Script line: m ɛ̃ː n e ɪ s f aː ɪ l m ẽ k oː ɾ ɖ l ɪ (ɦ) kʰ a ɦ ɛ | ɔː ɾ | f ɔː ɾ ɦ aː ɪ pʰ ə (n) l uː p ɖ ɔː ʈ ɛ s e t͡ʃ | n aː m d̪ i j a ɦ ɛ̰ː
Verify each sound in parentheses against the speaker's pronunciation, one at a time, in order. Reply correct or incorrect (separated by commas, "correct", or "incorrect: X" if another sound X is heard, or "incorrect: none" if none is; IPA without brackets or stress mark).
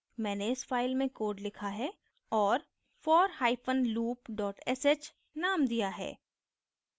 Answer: incorrect: none, correct